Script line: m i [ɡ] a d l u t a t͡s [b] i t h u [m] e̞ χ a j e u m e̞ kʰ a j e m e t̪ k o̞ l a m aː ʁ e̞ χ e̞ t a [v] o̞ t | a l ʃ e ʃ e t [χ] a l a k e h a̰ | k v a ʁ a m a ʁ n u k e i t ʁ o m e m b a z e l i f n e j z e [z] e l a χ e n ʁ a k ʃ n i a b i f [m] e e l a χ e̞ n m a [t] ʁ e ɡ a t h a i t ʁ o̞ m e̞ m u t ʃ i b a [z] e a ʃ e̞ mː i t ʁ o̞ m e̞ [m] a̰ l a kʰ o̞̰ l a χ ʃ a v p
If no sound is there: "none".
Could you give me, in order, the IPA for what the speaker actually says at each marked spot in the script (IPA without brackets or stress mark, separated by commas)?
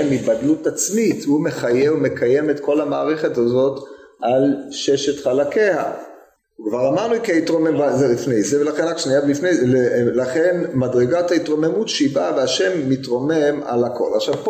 b, m, m, z, χ, v, n, d, v, m